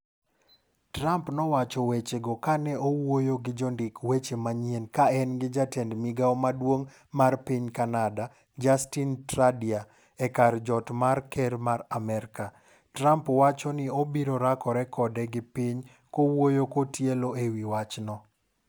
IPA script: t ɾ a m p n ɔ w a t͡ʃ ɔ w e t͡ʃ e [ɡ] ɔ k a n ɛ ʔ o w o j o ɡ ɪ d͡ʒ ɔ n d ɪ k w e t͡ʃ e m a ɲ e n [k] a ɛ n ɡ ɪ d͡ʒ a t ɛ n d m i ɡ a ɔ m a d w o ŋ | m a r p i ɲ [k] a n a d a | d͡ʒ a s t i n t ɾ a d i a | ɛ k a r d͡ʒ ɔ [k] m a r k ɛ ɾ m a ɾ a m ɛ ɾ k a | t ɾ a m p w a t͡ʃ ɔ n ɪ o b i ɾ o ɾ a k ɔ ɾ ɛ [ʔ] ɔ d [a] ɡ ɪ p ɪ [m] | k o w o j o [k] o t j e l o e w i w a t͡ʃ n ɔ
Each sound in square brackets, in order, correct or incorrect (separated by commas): correct, correct, correct, incorrect, incorrect, incorrect, incorrect, correct